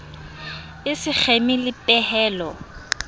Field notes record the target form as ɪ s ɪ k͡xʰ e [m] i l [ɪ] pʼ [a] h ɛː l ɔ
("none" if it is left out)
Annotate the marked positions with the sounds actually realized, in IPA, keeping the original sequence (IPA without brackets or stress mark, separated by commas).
m, ɪ, ɛ